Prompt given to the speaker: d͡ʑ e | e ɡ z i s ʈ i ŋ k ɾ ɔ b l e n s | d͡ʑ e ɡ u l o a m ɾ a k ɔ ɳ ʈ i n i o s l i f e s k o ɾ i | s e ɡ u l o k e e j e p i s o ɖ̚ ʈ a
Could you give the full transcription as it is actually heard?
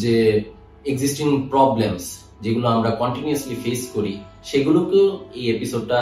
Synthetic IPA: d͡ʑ e | e ɡ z i s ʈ i ŋ p ɾ ɔ b l e m s | d͡ʑ e ɡ u l o a m ɾ a k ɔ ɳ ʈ i n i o s l i f e s k o ɾ i | ʃ e ɡ u l o k e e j e p i s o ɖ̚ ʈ a